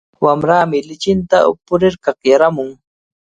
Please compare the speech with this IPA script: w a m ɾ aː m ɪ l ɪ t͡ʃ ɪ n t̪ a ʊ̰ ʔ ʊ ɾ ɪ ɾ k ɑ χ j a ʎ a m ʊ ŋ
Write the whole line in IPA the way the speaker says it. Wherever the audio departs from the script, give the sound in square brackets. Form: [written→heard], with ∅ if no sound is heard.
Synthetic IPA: w a m ɾ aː m ɪ l ɪ t͡ʃ ɪ n t̪ a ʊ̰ [ʔ→p] ʊ ɾ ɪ ɾ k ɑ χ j a [ʎ→ɾ] a m ʊ ŋ